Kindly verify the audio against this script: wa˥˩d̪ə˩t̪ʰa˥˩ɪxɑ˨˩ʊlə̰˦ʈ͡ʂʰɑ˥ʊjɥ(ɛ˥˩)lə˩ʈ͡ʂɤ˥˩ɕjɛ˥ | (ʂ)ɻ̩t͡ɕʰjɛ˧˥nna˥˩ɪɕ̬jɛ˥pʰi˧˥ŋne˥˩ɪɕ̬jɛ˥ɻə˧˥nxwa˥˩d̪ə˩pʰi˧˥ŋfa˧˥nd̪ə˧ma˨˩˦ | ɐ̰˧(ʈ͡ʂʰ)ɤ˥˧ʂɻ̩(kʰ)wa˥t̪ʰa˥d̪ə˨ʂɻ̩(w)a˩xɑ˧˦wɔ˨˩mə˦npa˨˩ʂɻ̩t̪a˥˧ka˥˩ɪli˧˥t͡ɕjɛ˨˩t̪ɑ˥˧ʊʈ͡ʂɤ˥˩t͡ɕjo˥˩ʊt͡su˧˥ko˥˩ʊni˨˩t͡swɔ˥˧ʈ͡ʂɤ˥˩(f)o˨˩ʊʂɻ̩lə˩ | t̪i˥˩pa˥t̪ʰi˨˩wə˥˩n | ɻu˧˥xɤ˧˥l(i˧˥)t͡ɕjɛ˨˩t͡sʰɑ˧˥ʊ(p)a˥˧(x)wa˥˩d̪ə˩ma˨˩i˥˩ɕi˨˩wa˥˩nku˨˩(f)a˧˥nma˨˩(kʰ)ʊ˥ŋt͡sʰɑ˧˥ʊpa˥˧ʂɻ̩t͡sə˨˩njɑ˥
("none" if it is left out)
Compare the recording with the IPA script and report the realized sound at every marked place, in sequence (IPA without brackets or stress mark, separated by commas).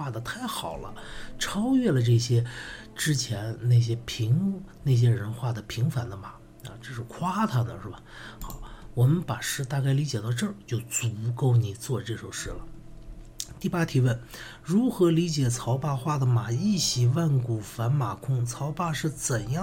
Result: ɛ˥˩, ʈ͡ʂ, ʈ͡ʂ, kʰ, b, ʂ, i˧˥, p, x, f, kʰ